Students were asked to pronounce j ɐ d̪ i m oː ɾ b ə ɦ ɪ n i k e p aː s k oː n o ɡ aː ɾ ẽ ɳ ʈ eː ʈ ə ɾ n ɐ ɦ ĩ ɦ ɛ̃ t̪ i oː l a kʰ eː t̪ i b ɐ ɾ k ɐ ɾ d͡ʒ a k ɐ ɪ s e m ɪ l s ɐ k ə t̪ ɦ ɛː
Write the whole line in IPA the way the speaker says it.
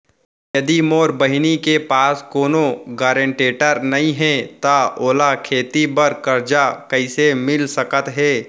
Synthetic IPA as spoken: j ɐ d̪ i m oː ɾ b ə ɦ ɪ n i k e p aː s k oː n o ɡ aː ɾ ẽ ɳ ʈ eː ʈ ə ɾ n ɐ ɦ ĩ ɦ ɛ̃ t̪ a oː l a kʰ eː t̪ i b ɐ ɾ k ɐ ɾ d͡ʒ a k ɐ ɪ s e m ɪ l s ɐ k ə t̪ ɦ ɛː